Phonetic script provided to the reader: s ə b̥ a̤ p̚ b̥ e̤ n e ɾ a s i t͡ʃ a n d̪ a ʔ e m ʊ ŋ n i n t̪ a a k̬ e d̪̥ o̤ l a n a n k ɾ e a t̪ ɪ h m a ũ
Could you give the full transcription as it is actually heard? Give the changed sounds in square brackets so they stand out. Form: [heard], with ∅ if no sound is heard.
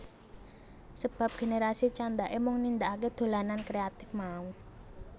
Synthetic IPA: s ə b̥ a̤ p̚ [ɡ̥] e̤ n e ɾ a s i t͡ʃ a n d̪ a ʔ e m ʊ ŋ n i n [d̪] a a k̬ e d̪̥ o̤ l a n a n k ɾ e a t̪ ɪ [f] m a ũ

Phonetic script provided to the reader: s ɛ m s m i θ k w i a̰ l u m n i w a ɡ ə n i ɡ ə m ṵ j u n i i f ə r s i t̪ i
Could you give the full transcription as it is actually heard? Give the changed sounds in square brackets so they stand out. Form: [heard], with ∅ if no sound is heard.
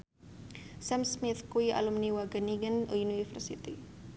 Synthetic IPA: s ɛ m s m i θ k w i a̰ l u m n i w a ɡ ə n i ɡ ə [n] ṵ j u n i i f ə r s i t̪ i

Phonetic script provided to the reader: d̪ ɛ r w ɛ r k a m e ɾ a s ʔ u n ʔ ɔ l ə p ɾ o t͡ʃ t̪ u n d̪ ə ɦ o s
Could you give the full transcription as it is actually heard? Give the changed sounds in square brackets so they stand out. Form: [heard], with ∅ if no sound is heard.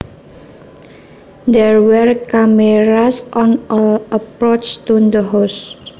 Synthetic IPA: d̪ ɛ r w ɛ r k a m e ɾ a s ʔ [ɔ] n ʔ ɔ l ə p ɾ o t͡ʃ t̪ u n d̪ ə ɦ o s

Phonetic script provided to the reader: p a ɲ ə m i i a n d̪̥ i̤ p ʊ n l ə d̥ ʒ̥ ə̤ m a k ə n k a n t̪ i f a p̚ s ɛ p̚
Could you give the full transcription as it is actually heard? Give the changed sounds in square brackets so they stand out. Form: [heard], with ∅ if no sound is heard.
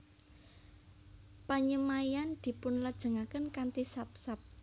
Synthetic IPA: p a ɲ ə m [a] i a n d̪̥ i̤ p ʊ n l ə d̥ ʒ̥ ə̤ [ŋ] a k ə n k a n t̪ i [s] a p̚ s [a] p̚

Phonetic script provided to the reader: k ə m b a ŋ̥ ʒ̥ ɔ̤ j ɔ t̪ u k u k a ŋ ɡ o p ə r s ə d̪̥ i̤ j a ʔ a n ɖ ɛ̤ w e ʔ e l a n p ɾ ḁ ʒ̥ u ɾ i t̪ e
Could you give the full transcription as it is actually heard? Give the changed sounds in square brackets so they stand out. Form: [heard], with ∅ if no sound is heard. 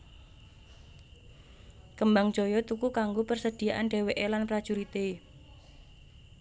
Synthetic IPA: k ə m b a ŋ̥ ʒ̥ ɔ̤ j ɔ t̪ u k u k a ŋ ɡ o p ə r s ə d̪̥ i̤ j a ʔ a n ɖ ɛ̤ w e ʔ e l a n p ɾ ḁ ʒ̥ u ɾ i t̪ e

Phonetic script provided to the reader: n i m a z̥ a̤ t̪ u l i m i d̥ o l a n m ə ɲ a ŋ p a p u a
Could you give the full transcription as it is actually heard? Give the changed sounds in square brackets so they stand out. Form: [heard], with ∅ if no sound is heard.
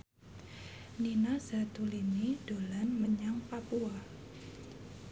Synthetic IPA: n i [n] a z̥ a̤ t̪ u l i m i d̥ o l a n m ə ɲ a ŋ p a p u a

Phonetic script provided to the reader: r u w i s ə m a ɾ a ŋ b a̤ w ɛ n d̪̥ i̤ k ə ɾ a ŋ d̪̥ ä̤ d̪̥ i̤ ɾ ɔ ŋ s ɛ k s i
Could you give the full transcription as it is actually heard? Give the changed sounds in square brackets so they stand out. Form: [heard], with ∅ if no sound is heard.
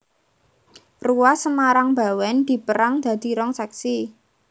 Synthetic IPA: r u w [a] s ə m a ɾ a ŋ b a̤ w ɛ n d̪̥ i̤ [p] ə ɾ a ŋ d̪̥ ä̤ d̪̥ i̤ ɾ ɔ ŋ s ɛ k s i

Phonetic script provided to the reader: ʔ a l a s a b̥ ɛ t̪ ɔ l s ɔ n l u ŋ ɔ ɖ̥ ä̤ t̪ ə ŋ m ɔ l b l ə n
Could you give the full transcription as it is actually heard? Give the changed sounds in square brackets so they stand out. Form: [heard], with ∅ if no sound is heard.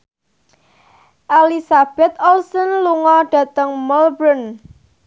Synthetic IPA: ʔ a l [i] s a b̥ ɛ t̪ ɔ l s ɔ n l u ŋ ɔ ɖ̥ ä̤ t̪ ə ŋ m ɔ l b [ɾ] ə n

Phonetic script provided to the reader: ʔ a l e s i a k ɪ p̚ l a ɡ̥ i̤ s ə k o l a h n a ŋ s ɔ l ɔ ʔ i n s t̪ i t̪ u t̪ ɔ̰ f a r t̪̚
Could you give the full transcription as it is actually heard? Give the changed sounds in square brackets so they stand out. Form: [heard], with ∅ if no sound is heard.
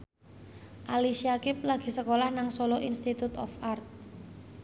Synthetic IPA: ʔ a l [i] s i a k ɪ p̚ l a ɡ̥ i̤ s ə k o l a h n a ŋ s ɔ l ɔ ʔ i n s t̪ i t̪ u t̪ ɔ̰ f a r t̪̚

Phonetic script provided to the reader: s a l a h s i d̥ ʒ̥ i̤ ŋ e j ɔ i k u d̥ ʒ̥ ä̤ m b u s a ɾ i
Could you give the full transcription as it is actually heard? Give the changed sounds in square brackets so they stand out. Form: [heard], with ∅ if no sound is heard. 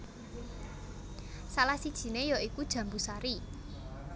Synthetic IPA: s a l a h s i d̥ ʒ̥ i̤ [n] e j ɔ i k u d̥ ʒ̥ ä̤ m b u s a ɾ i

